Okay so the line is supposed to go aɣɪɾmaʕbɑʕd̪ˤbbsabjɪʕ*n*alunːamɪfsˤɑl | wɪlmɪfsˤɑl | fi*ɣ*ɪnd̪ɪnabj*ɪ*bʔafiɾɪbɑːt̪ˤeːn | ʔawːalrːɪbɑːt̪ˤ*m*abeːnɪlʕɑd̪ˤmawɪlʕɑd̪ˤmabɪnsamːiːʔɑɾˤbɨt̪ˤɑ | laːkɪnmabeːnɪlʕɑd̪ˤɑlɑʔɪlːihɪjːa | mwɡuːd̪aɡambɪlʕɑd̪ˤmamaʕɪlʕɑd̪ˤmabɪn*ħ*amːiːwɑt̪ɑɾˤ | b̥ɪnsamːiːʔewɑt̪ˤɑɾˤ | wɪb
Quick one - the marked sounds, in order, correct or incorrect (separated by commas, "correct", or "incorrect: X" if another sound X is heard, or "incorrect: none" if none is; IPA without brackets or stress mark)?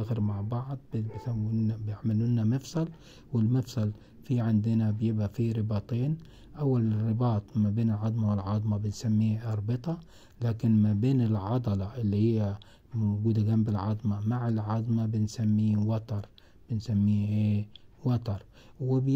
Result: incorrect: m, incorrect: ʕ, correct, correct, incorrect: s